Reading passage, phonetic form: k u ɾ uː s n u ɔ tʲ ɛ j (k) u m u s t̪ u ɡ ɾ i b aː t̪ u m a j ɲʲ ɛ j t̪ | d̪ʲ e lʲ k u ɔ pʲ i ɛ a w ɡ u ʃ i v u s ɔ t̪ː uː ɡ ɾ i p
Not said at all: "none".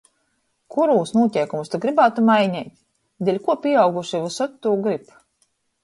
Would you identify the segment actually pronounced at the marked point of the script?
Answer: k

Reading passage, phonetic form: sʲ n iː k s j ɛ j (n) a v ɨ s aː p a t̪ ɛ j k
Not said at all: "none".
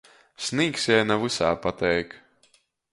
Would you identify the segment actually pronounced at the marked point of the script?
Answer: n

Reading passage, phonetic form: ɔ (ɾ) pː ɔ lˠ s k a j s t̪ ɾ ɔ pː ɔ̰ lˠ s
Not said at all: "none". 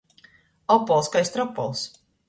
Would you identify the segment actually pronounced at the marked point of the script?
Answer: none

